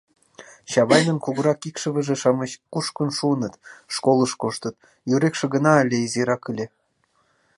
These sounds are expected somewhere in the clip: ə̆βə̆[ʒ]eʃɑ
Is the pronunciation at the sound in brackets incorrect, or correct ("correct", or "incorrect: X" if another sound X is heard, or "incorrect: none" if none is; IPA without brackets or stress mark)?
correct